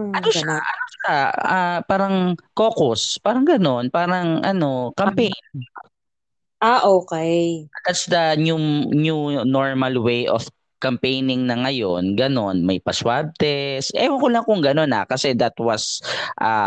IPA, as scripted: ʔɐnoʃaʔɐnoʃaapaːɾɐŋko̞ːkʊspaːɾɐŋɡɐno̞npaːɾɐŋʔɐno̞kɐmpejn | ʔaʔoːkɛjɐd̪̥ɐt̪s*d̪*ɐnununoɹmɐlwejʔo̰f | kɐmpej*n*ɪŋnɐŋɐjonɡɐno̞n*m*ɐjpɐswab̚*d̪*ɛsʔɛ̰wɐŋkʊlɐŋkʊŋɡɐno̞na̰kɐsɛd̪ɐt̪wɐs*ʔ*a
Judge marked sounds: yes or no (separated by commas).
yes, yes, yes, no, yes